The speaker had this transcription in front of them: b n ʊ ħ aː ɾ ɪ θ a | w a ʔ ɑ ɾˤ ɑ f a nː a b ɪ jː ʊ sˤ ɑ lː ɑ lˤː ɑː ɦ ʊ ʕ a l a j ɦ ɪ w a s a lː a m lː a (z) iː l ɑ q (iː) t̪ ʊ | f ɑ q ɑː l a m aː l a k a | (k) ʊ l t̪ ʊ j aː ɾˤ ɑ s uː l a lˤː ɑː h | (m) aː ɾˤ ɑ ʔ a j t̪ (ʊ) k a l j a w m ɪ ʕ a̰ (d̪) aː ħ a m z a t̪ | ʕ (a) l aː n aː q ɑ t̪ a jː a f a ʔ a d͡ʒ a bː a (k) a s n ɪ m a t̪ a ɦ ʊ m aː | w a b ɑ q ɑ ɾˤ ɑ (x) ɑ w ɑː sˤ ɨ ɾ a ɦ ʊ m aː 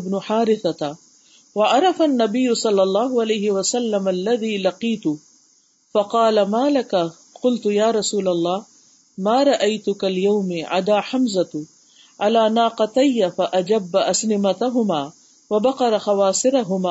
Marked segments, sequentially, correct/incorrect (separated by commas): incorrect, correct, incorrect, correct, correct, correct, correct, incorrect, correct